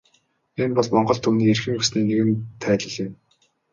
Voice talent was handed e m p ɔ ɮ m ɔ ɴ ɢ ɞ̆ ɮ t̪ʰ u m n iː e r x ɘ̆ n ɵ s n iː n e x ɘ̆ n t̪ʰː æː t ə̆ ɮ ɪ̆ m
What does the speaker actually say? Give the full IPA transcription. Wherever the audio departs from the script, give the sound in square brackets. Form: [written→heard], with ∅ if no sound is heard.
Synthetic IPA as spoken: e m p ɔ ɮ m ɔ ɴ ɢ ɞ̆ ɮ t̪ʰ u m n iː e r x ɘ̆ [n→ŋ] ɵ s n iː n e [x→ɣ] ɘ̆ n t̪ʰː æː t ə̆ ɮ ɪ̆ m